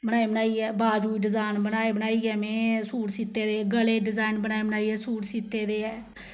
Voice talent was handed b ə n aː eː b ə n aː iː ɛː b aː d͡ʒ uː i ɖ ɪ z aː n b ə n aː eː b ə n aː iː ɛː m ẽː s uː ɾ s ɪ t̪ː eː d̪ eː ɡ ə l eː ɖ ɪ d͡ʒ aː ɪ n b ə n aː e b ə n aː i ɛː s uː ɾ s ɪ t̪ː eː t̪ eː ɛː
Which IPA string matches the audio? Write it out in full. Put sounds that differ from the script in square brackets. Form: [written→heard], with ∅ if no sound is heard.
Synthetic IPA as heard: b ə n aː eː b ə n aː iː ɛː b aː d͡ʒ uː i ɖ ɪ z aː n b ə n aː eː b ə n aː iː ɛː m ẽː s uː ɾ s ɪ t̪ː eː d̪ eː ɡ ə l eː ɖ ɪ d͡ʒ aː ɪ n b ə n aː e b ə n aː i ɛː s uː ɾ s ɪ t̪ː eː [t̪→d̪] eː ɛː